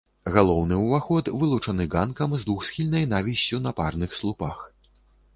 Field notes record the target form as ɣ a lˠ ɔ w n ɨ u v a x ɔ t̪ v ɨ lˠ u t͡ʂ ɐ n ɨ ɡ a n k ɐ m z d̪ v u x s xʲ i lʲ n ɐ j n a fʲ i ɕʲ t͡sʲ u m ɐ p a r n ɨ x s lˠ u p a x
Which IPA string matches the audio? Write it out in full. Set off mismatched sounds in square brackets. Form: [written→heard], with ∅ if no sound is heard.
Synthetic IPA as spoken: ɣ a lˠ ɔ w n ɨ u v a x ɔ t̪ v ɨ lˠ u t͡ʂ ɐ n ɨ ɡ a n k ɐ m z d̪ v u x s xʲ i lʲ n ɐ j n a [fʲ→vʲ] i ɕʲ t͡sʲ u [m→n] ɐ p a r n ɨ x s lˠ u p a x